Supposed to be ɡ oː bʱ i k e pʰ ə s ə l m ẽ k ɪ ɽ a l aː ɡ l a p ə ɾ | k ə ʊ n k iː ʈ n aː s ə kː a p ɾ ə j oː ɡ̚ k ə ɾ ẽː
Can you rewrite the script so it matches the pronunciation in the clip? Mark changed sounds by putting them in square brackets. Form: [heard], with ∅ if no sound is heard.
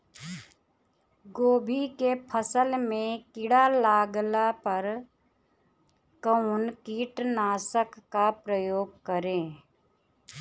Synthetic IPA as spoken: ɡ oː bʱ i k e pʰ ə s ə l m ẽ k ɪ ɽ a l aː ɡ l a p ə ɾ | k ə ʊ n k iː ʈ n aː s ə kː a p ɾ ə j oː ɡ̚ k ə ɾ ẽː